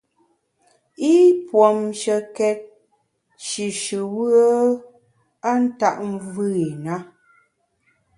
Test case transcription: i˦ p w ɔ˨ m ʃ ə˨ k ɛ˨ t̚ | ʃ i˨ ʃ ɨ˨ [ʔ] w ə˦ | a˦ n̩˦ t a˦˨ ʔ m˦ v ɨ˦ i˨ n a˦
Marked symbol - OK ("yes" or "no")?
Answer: no